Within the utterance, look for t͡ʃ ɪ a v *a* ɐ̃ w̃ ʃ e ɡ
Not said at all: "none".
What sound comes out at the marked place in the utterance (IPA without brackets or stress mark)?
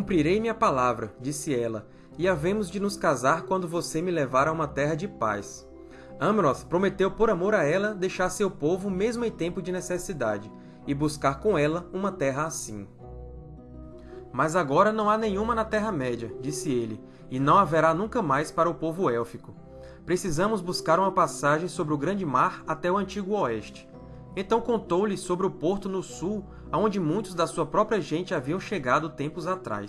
i